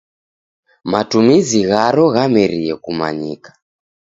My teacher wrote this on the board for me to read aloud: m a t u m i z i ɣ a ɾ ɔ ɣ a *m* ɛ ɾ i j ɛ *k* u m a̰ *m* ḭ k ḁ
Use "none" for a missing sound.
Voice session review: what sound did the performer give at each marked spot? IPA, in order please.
m, k, ɲ

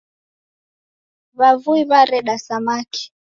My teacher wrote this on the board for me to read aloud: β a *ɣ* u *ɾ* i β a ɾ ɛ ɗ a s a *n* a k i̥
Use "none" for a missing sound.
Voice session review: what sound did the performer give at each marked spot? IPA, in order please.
v, none, m

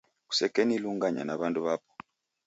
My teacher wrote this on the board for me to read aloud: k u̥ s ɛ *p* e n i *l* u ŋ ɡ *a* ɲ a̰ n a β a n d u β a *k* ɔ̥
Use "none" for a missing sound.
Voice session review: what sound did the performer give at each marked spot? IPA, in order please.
k, l, a, p

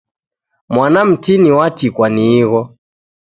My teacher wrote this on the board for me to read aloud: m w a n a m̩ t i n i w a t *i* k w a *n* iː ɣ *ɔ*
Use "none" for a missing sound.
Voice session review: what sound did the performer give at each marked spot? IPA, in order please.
i, n, ɔ

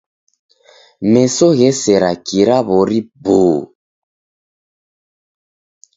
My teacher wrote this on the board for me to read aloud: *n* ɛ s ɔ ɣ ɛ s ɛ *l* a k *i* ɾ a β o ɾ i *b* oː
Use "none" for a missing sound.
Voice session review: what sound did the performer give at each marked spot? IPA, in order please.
m, ɾ, i, b

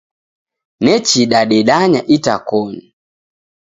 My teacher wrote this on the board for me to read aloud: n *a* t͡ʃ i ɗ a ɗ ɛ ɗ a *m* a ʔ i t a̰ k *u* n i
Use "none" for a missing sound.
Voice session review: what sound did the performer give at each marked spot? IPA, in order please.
ɛ, ɲ, ɔ

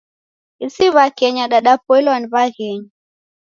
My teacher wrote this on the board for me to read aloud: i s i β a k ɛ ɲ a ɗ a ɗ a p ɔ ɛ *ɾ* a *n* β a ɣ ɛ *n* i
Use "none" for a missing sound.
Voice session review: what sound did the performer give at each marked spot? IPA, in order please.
l, n, ɲ

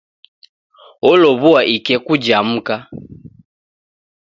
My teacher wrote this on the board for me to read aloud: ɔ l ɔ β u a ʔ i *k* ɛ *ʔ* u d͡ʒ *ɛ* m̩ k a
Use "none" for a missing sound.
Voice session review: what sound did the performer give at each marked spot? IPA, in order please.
k, k, a

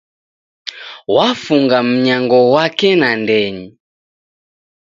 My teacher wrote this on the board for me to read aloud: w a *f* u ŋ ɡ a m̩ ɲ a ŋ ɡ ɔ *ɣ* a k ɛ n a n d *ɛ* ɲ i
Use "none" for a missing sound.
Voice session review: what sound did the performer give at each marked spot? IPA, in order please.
f, w, ɛ

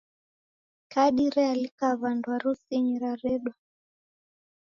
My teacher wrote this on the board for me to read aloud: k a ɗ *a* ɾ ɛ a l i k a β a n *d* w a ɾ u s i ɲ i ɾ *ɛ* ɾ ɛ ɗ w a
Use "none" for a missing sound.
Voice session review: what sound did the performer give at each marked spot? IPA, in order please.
i, d, a

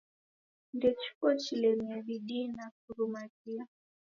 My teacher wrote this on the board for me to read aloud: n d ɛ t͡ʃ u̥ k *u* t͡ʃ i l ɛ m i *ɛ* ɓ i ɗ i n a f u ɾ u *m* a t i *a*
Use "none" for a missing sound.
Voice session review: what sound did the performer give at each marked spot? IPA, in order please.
ɔ, a, m, a

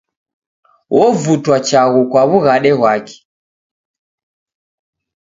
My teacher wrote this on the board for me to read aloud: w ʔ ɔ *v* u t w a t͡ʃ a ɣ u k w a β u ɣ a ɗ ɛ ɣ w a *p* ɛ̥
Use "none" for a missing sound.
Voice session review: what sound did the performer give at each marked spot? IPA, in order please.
v, k

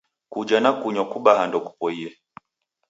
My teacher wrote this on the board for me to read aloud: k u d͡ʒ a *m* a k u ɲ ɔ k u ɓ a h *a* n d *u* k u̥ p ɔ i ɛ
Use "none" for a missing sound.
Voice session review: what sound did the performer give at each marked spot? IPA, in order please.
n, a, ɔ

